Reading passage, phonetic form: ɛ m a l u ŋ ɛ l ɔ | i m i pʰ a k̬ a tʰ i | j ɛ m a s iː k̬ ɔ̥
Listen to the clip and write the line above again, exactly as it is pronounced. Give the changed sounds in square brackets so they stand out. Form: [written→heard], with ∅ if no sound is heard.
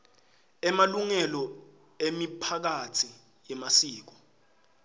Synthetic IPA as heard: ɛ m a l u ŋ ɛ l ɔ | [i→e] m i pʰ a k̬ a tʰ i | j ɛ m a s iː k̬ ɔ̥